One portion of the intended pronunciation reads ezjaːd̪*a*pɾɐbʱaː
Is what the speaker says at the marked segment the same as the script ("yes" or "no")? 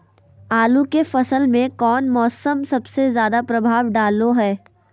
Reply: yes